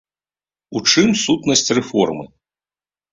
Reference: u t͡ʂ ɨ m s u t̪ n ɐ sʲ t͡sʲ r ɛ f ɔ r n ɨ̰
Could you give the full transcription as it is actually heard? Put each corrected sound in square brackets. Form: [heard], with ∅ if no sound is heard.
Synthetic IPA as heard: u t͡ʂ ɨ m s u t̪ n ɐ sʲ t͡sʲ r ɛ f ɔ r [m] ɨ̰

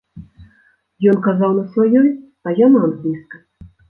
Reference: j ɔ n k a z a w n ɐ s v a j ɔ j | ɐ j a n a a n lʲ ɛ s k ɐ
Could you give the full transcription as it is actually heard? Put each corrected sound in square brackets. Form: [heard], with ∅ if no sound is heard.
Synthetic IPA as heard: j ɔ n k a z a w n ɐ s v a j ɔ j | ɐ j a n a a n lʲ [i] s k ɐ

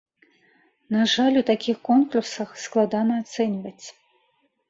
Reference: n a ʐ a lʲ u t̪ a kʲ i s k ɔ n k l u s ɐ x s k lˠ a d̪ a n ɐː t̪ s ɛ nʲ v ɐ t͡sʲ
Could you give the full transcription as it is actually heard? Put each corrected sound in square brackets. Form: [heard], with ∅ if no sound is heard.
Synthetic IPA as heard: n a ʐ a lʲ u t̪ a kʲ i [x] k ɔ n k l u s ɐ x s k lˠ a d̪ a n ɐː t̪ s ɛ nʲ v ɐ t͡sʲ

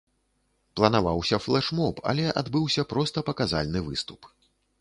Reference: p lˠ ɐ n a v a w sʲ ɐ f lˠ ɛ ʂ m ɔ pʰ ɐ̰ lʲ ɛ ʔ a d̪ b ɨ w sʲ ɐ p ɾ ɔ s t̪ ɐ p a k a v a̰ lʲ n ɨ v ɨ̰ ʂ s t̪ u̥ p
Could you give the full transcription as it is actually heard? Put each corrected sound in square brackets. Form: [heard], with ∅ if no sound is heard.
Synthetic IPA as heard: p lˠ ɐ n a v a w sʲ ɐ f lˠ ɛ ʂ m ɔ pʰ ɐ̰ lʲ ɛ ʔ a d̪ b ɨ w sʲ ɐ p ɾ ɔ s t̪ ɐ p [ɐ] k a [z] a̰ lʲ n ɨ v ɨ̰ [∅] s t̪ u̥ p

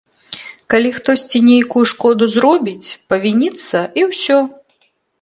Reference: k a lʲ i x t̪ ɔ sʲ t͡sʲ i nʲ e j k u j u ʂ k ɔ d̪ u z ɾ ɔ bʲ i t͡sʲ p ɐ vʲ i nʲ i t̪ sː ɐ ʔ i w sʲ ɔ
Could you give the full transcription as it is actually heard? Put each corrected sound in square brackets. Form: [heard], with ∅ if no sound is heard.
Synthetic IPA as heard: k a lʲ i x t̪ ɔ sʲ t͡sʲ i nʲ e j k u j u ʂ k ɔ d̪ u z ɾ ɔ bʲ i t͡sʲ p ɐ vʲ i nʲ i t̪ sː ɐ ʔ i w sʲ ɔ

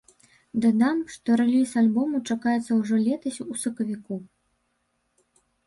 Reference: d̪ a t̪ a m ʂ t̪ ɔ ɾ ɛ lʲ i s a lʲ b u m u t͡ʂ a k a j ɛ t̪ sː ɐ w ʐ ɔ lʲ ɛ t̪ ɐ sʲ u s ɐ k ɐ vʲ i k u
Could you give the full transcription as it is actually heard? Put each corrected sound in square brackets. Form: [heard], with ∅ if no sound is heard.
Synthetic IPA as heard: d̪ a [d̪] a m ʂ t̪ ɔ ɾ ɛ lʲ i s a lʲ b [ɔ] m u t͡ʂ a k a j ɛ t̪ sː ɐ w ʐ ɔ lʲ ɛ t̪ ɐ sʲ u s ɐ k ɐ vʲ i k u

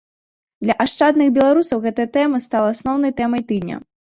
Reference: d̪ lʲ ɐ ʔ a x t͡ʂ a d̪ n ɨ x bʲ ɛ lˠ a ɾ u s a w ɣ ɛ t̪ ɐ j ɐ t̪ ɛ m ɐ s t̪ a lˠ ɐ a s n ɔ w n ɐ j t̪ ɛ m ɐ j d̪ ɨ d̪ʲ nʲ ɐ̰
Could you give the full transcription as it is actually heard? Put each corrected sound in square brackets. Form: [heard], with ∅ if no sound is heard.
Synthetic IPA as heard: d̪ lʲ ɐ ʔ a [ʂ] t͡ʂ a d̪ n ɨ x bʲ ɛ lˠ a ɾ u s [ɐ] w ɣ ɛ t̪ ɐ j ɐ t̪ ɛ m ɐ s t̪ a lˠ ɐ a s n ɔ w n ɐ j t̪ ɛ m ɐ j [t̪] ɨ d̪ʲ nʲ ɐ̰

